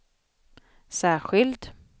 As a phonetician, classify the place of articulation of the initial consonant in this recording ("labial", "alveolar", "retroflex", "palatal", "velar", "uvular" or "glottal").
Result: alveolar